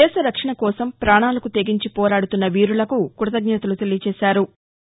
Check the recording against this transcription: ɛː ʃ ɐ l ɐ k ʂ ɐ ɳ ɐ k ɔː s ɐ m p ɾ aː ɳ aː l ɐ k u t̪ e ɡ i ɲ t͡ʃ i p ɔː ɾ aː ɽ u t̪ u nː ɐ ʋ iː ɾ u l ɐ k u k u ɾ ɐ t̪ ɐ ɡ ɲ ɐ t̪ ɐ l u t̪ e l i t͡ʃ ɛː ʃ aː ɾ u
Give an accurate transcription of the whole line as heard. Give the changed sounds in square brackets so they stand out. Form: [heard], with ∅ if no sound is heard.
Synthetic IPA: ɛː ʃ ɐ [ɾ] ɐ k ʂ ɐ ɳ ɐ k ɔː s ɐ m p ɾ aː ɳ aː l ɐ k u t̪ e ɡ i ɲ t͡ʃ i p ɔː ɾ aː ɽ u t̪ u nː ɐ ʋ iː ɾ u l ɐ k u k u ɾ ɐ t̪ ɐ ɡ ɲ ɐ t̪ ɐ l u t̪ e l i t͡ʃ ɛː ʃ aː ɾ u